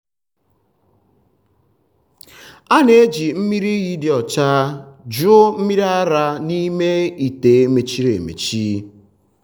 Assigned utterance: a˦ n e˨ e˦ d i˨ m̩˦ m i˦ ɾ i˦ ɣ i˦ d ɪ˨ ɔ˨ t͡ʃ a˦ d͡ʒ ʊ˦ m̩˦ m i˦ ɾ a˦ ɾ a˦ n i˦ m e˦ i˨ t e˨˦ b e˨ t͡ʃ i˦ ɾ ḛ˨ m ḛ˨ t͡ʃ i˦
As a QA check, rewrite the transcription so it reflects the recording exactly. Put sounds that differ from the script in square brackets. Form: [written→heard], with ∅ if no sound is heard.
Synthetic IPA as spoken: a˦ n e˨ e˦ [d→d͡ʒ] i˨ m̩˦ m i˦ ɾ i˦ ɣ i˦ d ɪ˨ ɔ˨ t͡ʃ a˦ d͡ʒ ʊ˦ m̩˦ m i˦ ɾ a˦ ɾ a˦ n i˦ m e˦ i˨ t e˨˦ [b→m] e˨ t͡ʃ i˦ ɾ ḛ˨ m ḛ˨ t͡ʃ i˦